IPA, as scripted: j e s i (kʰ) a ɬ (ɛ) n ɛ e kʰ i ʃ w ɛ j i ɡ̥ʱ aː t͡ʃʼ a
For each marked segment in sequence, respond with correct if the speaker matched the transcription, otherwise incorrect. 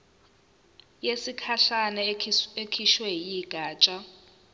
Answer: correct, incorrect: a

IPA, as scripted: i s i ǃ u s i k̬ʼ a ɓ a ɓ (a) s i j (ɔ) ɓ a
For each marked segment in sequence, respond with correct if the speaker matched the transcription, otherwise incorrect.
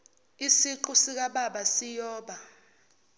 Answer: correct, incorrect: ɔː

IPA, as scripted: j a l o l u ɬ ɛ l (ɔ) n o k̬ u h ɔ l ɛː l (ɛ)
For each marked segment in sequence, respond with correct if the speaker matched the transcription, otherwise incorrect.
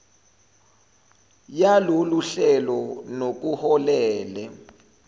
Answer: correct, correct

